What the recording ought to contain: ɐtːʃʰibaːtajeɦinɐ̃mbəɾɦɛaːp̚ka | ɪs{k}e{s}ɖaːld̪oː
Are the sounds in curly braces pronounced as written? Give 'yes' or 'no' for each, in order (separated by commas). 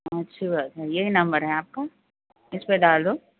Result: no, no